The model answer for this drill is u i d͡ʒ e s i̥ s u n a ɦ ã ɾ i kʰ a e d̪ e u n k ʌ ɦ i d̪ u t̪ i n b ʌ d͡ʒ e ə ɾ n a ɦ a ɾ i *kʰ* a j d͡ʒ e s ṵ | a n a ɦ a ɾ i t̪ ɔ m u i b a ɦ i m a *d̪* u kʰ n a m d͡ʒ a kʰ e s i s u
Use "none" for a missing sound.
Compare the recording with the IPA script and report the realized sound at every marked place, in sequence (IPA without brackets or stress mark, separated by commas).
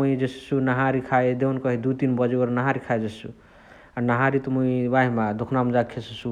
kʰ, d̪